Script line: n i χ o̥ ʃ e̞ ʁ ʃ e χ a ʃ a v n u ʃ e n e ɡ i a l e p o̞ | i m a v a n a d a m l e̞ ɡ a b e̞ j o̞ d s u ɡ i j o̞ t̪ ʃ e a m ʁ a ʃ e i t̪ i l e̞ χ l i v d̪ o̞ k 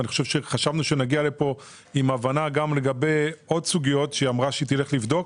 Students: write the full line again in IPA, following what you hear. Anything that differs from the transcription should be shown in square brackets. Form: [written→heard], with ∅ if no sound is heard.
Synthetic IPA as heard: n i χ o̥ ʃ e̞ [ʁ→v] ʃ e χ a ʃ a v n u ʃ e n [e→a] ɡ i a l e p o̞ | i m a v a n a [d→ɡ] a m l e̞ ɡ a b e̞ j o̞ d s u ɡ i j o̞ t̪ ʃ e a m ʁ a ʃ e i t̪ i l e̞ χ l i v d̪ o̞ k